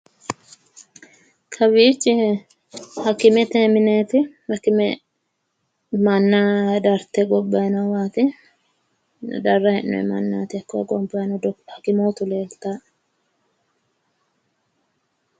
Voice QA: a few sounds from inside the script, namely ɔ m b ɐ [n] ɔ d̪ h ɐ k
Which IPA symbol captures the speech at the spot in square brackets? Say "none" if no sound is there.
n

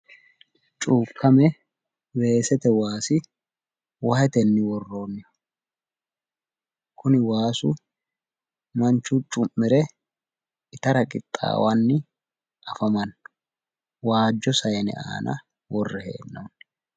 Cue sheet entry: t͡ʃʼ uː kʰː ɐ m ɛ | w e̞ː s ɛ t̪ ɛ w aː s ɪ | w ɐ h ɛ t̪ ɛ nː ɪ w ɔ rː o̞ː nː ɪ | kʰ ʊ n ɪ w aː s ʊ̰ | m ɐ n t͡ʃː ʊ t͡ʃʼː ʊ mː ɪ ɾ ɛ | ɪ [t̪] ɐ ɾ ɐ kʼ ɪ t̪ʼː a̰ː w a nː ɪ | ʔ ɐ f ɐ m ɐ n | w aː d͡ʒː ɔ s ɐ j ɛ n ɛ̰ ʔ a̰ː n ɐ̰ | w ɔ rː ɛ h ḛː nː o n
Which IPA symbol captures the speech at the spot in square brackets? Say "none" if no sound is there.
t̪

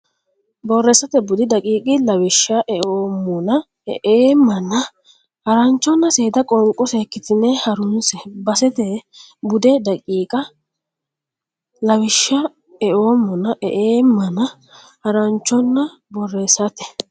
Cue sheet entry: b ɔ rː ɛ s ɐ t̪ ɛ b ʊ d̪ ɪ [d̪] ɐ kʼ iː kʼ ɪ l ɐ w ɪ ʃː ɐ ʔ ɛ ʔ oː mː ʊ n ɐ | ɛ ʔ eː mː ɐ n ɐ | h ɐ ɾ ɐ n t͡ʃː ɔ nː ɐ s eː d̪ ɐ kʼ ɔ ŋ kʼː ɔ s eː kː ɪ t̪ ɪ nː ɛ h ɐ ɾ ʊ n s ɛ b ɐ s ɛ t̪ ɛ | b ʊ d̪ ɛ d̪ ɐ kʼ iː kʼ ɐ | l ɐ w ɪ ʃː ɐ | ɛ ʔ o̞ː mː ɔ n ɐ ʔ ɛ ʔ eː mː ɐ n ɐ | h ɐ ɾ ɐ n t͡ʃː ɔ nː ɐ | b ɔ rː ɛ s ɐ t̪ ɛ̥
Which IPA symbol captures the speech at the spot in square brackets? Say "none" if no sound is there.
d̪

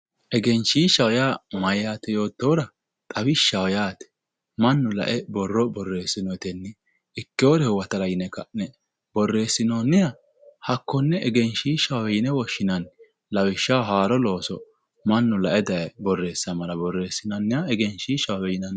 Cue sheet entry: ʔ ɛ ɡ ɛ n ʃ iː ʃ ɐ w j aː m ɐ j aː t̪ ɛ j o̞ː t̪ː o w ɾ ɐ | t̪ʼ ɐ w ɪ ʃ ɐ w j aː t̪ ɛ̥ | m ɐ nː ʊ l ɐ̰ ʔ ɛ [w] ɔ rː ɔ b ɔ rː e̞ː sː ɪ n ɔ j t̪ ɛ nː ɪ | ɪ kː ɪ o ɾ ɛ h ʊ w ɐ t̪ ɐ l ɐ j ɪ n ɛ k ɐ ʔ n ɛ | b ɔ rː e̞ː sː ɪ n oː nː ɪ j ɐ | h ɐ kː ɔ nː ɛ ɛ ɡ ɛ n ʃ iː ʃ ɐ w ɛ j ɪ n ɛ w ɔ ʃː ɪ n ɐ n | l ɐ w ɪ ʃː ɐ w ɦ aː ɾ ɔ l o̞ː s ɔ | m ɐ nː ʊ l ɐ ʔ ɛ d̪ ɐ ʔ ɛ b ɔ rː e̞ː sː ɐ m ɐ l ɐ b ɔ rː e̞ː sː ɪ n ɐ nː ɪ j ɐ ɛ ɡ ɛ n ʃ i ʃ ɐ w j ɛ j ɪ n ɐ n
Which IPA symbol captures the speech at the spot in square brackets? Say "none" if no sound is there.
b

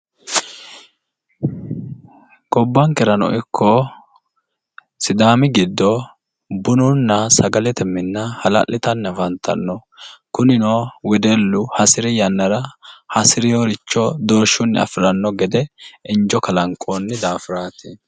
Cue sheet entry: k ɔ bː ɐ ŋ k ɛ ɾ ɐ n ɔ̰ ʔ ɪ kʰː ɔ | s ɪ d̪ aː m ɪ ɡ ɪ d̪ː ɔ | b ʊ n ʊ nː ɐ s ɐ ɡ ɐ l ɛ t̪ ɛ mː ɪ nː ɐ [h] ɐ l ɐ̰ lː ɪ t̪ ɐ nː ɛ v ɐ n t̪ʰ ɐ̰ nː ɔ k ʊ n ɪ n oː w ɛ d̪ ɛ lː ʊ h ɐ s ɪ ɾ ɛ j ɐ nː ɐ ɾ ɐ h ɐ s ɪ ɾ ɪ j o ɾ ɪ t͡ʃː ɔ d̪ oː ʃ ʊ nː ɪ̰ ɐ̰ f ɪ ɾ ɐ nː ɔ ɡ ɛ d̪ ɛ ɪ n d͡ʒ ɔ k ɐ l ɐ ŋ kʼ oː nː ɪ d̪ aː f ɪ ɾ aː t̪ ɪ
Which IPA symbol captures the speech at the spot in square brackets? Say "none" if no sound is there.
h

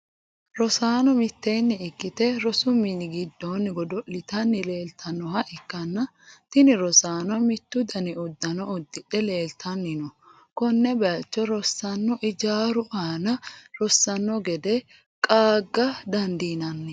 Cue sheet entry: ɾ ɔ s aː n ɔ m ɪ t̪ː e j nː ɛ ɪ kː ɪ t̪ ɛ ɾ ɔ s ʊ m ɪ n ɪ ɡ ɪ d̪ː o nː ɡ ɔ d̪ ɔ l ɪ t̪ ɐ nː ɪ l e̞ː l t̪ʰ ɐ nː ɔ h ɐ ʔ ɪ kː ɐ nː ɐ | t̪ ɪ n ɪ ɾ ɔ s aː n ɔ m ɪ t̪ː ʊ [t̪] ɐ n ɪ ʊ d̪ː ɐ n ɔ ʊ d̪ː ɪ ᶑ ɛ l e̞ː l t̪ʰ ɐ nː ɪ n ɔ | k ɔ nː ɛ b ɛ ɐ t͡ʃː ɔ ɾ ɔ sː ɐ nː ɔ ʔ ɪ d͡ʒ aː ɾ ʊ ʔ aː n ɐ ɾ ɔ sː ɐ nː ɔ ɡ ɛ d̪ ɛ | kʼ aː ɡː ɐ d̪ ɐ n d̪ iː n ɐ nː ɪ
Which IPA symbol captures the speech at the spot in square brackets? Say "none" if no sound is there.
d̪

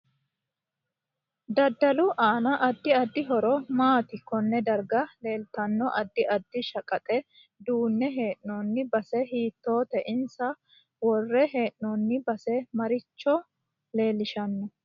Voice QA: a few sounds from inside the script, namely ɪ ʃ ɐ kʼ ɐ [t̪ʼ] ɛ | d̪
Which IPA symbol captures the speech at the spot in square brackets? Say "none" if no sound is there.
t̪ʼ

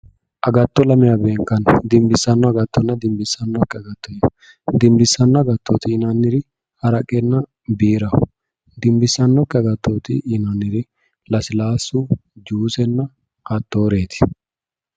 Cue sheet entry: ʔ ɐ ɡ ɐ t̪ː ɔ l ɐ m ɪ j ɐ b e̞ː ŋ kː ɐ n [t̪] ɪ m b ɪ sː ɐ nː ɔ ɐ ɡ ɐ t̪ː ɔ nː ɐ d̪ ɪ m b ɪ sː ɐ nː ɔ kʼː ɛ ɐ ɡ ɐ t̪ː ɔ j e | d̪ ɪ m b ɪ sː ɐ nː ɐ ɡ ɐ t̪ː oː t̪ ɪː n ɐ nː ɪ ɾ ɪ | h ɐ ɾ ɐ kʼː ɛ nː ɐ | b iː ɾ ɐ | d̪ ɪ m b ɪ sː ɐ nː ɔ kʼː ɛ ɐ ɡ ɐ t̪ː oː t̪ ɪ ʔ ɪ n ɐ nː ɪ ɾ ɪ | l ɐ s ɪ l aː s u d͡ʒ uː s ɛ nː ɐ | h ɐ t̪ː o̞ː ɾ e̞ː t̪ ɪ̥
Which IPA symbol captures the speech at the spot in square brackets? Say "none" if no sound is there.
d̪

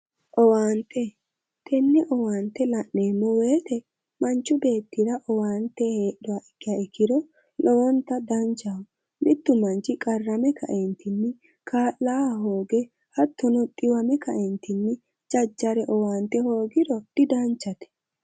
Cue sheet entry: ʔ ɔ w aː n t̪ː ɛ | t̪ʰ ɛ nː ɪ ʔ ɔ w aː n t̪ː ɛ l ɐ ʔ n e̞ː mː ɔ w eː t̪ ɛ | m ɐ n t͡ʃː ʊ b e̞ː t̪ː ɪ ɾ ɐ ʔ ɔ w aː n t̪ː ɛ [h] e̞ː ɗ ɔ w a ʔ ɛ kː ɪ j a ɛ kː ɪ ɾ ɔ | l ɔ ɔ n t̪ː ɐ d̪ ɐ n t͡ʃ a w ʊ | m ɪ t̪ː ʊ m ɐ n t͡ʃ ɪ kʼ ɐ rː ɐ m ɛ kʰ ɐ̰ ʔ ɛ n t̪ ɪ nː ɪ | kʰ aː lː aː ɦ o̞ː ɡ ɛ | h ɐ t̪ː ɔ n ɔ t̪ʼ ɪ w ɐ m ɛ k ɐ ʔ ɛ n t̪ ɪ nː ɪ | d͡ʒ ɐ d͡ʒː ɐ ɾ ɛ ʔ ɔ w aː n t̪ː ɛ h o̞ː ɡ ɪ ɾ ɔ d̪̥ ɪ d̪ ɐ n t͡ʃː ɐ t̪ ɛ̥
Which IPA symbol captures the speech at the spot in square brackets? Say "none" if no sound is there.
h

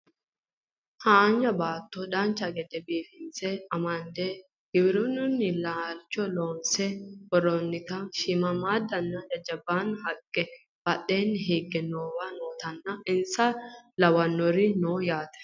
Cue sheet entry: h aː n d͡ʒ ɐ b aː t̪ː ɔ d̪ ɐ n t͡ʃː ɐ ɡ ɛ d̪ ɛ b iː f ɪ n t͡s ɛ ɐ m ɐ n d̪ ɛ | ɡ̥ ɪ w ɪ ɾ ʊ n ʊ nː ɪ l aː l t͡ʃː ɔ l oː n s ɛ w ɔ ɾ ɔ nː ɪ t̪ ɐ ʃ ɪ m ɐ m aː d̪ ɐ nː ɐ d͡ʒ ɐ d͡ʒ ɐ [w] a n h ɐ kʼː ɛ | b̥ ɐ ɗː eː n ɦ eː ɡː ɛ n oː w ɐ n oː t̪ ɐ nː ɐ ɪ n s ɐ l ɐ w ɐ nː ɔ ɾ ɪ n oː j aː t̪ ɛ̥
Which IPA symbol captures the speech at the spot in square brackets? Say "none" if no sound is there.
b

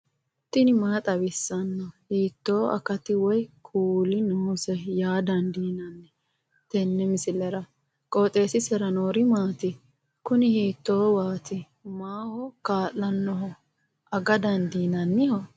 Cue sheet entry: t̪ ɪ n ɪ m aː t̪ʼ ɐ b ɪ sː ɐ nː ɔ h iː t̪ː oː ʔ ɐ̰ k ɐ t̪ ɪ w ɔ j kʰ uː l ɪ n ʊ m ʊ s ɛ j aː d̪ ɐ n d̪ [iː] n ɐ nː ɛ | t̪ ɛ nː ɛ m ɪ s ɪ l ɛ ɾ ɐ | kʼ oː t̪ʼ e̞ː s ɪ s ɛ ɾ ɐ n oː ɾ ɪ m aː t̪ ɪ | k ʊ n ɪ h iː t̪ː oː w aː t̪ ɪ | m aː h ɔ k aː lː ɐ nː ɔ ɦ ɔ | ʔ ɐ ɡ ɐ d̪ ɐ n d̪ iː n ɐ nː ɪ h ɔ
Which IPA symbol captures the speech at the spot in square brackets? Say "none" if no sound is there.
iː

